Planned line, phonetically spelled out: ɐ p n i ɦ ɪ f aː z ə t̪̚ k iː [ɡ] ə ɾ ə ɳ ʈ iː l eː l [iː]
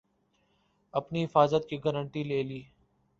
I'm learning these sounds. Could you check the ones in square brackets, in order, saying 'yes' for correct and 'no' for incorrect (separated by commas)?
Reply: yes, yes